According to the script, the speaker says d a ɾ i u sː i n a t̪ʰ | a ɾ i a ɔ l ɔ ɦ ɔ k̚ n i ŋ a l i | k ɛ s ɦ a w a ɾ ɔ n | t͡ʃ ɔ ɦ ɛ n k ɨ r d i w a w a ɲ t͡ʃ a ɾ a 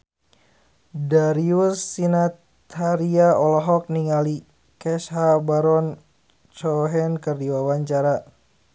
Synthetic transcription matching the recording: d a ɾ i u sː i n a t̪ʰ | a ɾ i a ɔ l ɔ ɦ ɔ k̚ n i ŋ a l i | k ɛ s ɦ a b a ɾ ɔ n | t͡ʃ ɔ ɦ ɛ n k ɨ r d i w a w a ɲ t͡ʃ a ɾ a